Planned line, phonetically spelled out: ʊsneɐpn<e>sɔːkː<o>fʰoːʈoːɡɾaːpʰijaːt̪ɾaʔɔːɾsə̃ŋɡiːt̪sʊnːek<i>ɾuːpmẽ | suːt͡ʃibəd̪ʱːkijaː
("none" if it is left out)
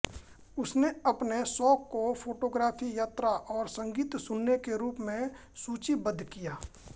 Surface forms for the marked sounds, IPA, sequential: e, o, e

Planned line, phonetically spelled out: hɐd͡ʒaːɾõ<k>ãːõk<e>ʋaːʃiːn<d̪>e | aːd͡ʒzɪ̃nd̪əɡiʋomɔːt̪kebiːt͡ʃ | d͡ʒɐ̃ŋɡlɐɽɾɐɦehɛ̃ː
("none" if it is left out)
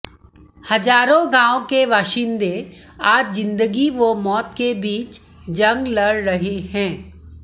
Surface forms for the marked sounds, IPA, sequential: ɡ, e, d̪

